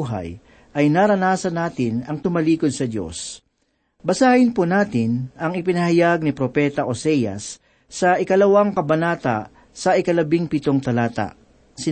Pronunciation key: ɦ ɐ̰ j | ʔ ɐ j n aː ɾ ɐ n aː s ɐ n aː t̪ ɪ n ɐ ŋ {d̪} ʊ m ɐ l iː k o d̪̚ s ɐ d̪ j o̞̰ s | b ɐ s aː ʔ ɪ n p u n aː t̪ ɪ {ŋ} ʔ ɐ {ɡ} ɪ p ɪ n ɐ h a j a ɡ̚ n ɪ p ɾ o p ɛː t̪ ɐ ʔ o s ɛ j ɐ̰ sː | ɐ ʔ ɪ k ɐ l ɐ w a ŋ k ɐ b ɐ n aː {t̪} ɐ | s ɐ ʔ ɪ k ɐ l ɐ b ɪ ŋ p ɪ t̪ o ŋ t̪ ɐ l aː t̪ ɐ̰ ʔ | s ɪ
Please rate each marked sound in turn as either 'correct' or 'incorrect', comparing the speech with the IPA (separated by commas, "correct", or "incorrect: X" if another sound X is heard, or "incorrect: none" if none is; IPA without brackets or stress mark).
incorrect: t̪, incorrect: n, incorrect: ŋ, correct